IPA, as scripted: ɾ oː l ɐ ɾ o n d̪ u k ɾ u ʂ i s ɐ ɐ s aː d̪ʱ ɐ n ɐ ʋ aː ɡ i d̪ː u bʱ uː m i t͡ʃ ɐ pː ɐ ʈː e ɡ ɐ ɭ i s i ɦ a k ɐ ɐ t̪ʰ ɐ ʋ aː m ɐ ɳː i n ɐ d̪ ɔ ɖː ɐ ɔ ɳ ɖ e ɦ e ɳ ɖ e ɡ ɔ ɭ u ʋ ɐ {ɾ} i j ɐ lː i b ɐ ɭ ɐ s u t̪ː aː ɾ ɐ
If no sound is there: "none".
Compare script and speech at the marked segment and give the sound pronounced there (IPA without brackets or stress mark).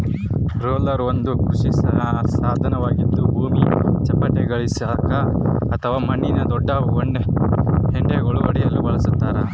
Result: ɽ